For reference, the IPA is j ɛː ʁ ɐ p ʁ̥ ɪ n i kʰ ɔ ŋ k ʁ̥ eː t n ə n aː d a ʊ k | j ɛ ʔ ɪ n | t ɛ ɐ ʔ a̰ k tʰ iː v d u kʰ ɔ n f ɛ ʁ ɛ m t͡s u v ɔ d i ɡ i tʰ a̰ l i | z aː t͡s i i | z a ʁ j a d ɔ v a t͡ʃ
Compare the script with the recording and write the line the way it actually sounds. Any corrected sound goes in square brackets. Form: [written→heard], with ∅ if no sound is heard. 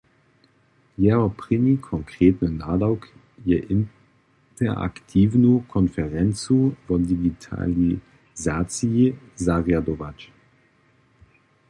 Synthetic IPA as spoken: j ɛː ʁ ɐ p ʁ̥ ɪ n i kʰ ɔ ŋ k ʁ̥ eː t n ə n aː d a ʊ k | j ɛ ʔ ɪ n | t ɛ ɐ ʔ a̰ k tʰ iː v [d→n] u kʰ ɔ n f ɛ ʁ ɛ [m→n] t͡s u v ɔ d i ɡ i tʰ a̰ l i | z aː t͡s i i | z a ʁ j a d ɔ v a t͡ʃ